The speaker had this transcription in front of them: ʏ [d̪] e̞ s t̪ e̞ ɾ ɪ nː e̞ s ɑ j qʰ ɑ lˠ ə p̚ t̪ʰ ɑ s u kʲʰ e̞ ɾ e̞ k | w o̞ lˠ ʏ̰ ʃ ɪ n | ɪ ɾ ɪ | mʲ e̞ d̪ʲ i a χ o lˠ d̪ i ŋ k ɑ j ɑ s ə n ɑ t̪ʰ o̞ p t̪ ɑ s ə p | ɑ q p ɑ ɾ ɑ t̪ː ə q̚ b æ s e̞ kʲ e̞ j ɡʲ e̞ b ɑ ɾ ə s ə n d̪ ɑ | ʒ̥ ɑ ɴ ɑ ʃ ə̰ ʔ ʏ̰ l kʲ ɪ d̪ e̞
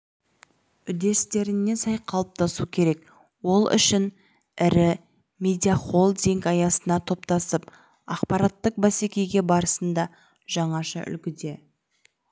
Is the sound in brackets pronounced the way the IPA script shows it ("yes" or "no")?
yes